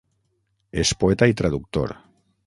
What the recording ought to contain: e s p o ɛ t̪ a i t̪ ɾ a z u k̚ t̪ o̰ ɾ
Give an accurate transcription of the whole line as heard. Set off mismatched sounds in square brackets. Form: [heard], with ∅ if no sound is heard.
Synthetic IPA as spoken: e s p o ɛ t̪ a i t̪ ɾ a [ð] u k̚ t̪ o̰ ɾ